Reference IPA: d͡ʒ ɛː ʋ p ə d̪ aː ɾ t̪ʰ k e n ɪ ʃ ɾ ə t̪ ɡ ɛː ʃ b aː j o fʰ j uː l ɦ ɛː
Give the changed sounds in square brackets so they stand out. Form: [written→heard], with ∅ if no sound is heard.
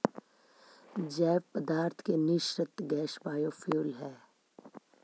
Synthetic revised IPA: d͡ʒ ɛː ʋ p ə d̪ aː ɾ t̪ʰ k e n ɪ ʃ ɾ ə t̪ ɡ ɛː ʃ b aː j o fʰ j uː l ɦ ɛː